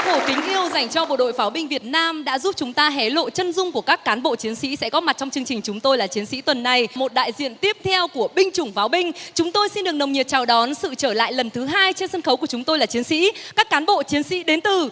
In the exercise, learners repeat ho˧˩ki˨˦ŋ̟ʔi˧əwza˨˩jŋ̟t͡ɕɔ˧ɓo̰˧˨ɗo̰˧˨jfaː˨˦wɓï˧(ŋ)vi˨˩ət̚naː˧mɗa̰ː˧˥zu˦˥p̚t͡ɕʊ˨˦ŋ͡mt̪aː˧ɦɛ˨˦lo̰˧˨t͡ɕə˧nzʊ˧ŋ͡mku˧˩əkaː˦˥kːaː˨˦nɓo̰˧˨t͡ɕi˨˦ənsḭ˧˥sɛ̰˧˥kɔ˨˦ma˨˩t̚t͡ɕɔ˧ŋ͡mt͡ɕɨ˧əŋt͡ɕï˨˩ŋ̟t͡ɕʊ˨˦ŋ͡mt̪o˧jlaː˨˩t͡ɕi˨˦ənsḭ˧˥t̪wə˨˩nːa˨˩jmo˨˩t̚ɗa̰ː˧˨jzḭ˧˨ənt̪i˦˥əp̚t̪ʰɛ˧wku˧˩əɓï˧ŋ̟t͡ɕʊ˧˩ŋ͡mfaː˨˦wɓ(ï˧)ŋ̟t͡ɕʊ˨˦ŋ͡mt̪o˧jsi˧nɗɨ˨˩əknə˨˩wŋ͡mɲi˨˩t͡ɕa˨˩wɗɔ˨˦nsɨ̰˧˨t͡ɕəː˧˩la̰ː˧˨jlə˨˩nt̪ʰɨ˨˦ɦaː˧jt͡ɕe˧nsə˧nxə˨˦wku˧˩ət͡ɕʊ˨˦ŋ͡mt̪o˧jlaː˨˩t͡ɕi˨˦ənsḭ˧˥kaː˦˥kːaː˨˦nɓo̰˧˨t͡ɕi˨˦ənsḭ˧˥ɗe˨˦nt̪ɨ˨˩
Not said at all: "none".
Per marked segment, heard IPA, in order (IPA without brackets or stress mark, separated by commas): ŋ, ï˧